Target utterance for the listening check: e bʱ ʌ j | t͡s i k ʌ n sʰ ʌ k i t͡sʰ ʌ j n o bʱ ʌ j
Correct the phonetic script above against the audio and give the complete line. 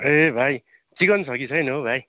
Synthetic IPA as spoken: e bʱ a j | t͡s i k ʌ n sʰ ʌ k i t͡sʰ ʌ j n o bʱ a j